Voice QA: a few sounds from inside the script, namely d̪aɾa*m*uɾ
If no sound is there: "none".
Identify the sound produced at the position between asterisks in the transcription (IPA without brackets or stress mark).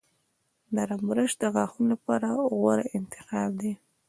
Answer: m